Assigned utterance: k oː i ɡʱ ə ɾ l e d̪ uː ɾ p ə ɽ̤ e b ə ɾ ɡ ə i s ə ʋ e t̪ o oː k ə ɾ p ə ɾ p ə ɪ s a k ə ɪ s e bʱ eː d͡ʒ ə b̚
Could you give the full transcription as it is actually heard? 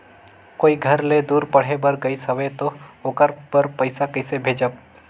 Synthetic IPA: k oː i ɡʱ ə ɾ l e d̪ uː ɾ p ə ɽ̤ e b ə ɾ ɡ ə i s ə ʋ e t̪ o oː k ə ɾ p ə ɾ p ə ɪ s a k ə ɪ s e bʱ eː d͡ʒ ə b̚